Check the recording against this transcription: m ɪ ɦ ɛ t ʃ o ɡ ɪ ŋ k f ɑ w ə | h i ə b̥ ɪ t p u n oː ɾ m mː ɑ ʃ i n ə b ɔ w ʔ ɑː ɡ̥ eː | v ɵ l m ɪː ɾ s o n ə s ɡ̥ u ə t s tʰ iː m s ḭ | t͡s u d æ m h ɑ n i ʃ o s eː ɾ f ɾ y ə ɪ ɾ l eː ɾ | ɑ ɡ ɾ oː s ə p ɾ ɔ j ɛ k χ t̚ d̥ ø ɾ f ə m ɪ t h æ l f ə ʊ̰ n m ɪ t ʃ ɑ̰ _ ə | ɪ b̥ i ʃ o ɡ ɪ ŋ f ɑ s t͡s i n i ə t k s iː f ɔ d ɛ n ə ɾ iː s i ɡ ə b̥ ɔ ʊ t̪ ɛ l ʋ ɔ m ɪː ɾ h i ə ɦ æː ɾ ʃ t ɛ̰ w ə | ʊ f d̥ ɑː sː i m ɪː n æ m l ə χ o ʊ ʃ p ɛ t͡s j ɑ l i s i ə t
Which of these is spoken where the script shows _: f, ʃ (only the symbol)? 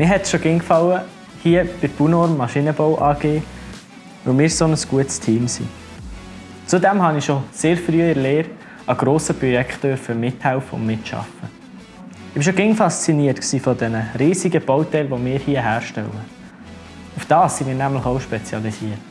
f